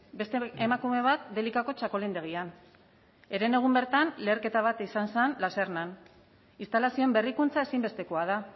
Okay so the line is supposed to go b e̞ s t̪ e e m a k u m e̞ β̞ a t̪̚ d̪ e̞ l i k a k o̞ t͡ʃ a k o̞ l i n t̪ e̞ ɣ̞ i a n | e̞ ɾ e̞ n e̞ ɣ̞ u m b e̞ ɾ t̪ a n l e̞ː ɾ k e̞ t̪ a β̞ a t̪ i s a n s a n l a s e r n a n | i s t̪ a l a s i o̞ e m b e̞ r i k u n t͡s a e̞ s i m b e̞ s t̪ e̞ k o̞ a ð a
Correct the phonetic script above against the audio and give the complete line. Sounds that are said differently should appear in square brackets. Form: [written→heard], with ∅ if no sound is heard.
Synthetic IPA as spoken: b e̞ s t̪ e e m a k u m e̞ β̞ a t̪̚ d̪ e̞ l i k a k o̞ t͡ʃ a k o̞ l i n [t̪→d̪] e̞ ɣ̞ i a n | e̞ ɾ e̞ n e̞ ɣ̞ u m b e̞ ɾ t̪ a n l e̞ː ɾ k e̞ t̪ a β̞ a t̪ i s a n s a n l a s e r n a n | i s t̪ a l a s i o̞ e m b e̞ r i k u n t͡s a e̞ s i m b e̞ s t̪ e̞ k o̞ a ð a

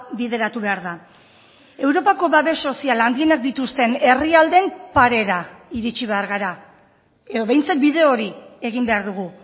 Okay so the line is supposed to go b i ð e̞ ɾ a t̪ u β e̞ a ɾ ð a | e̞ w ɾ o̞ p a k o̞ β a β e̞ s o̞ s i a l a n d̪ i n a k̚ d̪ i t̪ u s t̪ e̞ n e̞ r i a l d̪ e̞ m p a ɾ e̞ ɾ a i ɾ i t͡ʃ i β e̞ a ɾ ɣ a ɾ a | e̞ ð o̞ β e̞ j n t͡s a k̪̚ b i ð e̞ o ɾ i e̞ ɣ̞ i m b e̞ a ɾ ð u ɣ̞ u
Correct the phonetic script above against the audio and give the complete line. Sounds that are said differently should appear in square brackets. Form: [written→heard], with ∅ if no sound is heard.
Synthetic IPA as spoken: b i ð e̞ ɾ a t̪ u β e̞ a ɾ ð a | e̞ w ɾ o̞ p a k o̞ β a β e̞ s o̞ s i a l a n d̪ i n a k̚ d̪ i t̪ u s t̪ e̞ n e̞ r i a l d̪ e̞ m p a ɾ e̞ ɾ a i ɾ i t͡ʃ i β e̞ a ɾ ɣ a ɾ a | e̞ ð o̞ β e̞ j n t͡s a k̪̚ b i ð e̞ o ɾ i e̞ ɣ̞ i m b e̞ a ɾ ð u ɣ̞ u

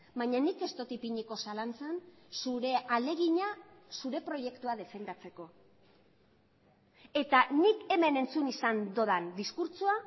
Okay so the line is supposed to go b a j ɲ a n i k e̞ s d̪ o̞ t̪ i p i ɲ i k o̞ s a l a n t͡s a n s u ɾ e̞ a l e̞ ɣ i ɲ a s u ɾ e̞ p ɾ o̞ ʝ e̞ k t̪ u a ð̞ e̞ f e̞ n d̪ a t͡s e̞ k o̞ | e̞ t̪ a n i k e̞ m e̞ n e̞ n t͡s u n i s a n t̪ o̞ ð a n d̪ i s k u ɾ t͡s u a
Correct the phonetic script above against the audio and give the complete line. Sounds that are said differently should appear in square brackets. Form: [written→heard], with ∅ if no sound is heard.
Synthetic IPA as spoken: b a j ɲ a n i k e̞ s [d̪→t̪] o̞ t̪ i p i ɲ i k o̞ s a l a n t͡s a n s u ɾ e̞ a l e̞ ɣ i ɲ a s u ɾ e̞ p ɾ o̞ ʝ e̞ k t̪ u a ð̞ e̞ f e̞ n d̪ a t͡s e̞ k o̞ | e̞ t̪ a n i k e̞ m e̞ n e̞ n t͡s u n i s a n [t̪→d̪] o̞ ð a n d̪ i s k u ɾ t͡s u a

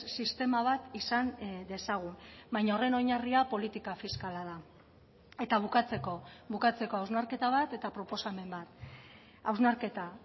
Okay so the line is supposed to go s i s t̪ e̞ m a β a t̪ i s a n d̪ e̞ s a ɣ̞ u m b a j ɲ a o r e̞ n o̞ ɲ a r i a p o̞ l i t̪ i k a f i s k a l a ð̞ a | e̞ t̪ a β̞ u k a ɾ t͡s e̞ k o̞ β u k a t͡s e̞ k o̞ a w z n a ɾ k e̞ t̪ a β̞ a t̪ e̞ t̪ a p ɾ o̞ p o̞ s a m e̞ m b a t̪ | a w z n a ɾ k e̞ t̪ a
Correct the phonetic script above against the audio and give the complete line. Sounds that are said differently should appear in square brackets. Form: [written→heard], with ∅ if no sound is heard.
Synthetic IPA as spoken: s i s t̪ e̞ m a β a t̪ i s a n d̪ e̞ s a ɣ̞ u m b a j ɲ a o r e̞ n o̞ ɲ a r i a p o̞ l i t̪ i k a f i s k a l a ð̞ a | e̞ t̪ a β̞ u k a [ɾ→∅] t͡s e̞ k o̞ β u k a t͡s e̞ k o̞ a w z n a ɾ k e̞ t̪ a β̞ a t̪ e̞ t̪ a p ɾ o̞ p o̞ s a m e̞ m b a t̪ | a w z n a ɾ k e̞ t̪ a

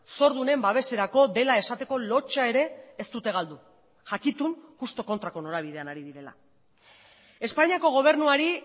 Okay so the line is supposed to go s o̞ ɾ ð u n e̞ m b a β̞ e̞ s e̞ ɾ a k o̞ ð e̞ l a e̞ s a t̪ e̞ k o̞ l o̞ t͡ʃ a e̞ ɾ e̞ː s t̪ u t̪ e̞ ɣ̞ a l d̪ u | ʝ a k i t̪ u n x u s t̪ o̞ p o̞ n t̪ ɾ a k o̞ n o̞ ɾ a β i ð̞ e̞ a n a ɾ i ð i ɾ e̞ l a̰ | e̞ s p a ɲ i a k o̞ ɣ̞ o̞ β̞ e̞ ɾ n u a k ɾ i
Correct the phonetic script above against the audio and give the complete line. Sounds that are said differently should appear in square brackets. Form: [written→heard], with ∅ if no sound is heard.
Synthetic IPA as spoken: s o̞ ɾ ð u n e̞ m b a β̞ e̞ s e̞ ɾ a k o̞ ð e̞ l a e̞ s a t̪ e̞ k o̞ l o̞ t͡ʃ a e̞ ɾ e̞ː s t̪ u t̪ e̞ ɣ̞ a l d̪ u | ʝ a k i t̪ u n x u s t̪ o̞ [p→k] o̞ n t̪ ɾ a k o̞ n o̞ ɾ a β i ð̞ e̞ a n a ɾ i ð i ɾ e̞ l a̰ | e̞ s p a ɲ i a k o̞ ɣ̞ o̞ β̞ e̞ ɾ n u a [k→∅] ɾ i

